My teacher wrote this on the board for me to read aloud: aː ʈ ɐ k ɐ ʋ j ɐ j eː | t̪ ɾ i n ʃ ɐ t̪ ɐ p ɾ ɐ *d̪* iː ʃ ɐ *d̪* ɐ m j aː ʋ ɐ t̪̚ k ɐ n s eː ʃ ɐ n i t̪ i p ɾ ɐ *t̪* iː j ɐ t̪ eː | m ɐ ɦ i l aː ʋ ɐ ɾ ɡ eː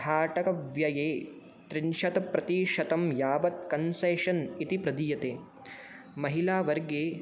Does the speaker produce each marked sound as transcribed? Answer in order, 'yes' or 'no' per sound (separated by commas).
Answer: no, no, no